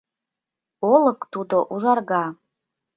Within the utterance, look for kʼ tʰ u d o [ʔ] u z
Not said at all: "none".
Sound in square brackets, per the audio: ʔ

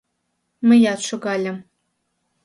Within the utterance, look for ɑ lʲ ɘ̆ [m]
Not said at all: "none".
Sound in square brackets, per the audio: m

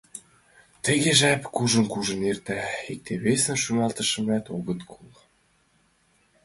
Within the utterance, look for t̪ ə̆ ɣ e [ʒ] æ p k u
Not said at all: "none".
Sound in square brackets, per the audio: ʒ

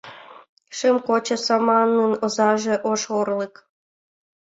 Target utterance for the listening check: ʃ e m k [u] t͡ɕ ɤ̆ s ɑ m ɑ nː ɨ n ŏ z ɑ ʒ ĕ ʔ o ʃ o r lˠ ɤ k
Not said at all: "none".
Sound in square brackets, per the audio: o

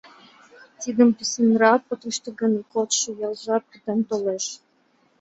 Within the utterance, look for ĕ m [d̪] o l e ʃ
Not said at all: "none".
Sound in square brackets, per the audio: t̪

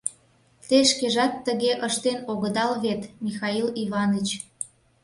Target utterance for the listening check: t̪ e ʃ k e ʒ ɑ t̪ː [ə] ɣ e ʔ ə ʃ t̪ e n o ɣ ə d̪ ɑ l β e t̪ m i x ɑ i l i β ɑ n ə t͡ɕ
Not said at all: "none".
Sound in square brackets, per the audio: ə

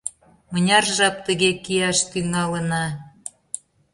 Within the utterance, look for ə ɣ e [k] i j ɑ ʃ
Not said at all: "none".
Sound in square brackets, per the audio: k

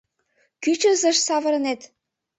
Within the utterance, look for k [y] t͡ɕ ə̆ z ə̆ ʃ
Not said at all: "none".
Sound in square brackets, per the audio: y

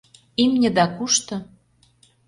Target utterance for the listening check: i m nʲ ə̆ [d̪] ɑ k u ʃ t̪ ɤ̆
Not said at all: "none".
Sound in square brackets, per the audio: d̪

